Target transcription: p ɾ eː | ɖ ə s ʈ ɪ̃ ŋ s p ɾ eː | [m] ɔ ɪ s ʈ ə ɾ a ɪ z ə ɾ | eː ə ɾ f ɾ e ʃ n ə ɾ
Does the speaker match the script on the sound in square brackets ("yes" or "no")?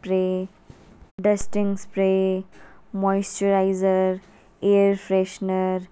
yes